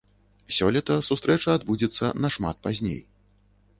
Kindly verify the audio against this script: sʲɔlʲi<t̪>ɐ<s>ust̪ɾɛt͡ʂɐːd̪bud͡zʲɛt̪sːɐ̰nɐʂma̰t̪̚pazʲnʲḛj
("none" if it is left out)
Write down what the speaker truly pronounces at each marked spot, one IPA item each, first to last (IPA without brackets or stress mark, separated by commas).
t̪, s